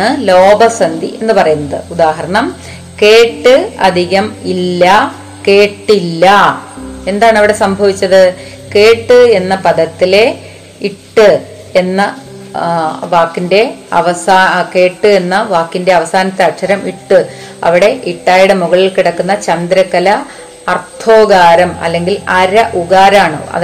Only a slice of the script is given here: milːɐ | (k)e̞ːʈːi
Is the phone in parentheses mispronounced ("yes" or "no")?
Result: no